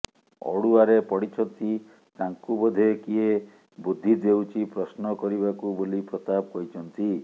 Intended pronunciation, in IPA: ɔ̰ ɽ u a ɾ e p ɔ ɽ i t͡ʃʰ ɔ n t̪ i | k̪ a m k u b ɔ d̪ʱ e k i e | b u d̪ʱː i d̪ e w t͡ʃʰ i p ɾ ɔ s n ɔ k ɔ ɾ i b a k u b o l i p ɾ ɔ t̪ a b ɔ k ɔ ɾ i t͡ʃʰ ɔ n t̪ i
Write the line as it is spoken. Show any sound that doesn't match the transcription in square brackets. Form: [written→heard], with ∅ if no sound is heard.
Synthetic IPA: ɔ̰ ɽ u a ɾ e p ɔ ɽ i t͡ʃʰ ɔ n t̪ i | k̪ a [m→ŋ] k u b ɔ d̪ʱ e k i e | b u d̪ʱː i d̪ e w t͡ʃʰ i p ɾ ɔ s n ɔ k ɔ ɾ i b a k u b o l i p ɾ ɔ t̪ a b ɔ k ɔ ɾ i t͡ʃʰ ɔ n t̪ i